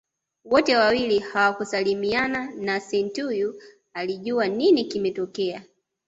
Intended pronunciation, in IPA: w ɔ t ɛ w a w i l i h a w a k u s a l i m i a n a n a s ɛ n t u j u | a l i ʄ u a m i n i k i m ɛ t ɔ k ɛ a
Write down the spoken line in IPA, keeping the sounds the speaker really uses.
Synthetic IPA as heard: w ɔ t ɛ w a w i l i h a w a k u s a l i m i a n a n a s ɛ n t u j u | a l i ʄ u a n i n i k i m ɛ t ɔ k ɛ a